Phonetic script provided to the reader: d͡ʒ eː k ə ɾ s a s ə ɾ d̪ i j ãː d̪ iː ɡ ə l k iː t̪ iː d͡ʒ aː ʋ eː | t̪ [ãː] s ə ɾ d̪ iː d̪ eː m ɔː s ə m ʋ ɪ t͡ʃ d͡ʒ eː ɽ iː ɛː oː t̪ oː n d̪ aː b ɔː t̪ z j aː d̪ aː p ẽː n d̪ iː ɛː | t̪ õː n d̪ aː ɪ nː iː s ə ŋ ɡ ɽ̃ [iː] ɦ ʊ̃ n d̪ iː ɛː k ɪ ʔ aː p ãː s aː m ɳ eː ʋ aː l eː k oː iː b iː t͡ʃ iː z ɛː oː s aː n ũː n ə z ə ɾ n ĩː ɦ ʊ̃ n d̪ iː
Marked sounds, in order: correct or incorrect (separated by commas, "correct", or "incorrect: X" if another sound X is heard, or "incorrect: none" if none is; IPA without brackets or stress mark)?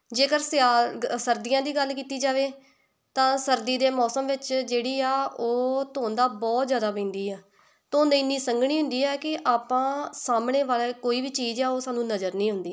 correct, correct